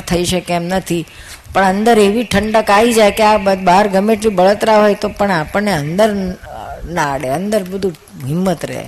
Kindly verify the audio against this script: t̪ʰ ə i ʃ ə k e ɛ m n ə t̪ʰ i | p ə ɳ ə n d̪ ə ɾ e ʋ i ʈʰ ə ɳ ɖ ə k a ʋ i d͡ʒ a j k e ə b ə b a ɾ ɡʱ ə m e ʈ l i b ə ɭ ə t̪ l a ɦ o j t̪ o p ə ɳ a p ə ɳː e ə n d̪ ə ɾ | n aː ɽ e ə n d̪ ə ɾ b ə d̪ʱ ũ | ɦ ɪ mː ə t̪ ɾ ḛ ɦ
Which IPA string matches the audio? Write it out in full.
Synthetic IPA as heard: t̪ʰ ə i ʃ ə k e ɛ m n ə t̪ʰ i | p ə ɳ ə n d̪ ə ɾ e ʋ i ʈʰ ə ɳ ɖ ə k a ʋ i d͡ʒ a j k e a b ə b a ɾ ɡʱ ə m e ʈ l i b ə ɭ ə t̪ ɾ a ɦ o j t̪ o p ə ɳ a p ə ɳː e ə n d̪ ə ɾ | n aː ɽ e ə n d̪ ə ɾ b ə d̪ʱ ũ | ɦ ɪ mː ə t̪ ɾ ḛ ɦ